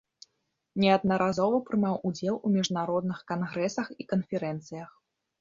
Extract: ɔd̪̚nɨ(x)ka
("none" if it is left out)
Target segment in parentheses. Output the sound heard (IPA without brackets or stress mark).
x